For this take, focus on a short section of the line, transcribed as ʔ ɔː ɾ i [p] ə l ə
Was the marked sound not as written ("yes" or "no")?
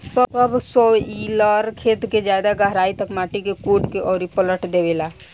no